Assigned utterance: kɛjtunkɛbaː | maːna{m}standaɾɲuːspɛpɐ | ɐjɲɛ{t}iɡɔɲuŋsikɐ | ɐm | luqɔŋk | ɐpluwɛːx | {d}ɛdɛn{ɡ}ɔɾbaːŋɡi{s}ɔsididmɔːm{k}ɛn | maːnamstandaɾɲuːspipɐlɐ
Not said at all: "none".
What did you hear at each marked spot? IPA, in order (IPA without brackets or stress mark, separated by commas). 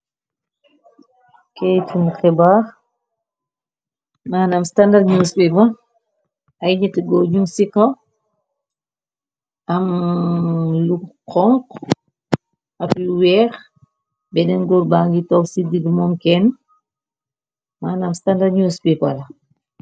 m, t, b, ɡ, t, k